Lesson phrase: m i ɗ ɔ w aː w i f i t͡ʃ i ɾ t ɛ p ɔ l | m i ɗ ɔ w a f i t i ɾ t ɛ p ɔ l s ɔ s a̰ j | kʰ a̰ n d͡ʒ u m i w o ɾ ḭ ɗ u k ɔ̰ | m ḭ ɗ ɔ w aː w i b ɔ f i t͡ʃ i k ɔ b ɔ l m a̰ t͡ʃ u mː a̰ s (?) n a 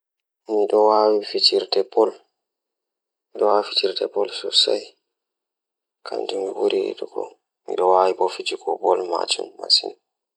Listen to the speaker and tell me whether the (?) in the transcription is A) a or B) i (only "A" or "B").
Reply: B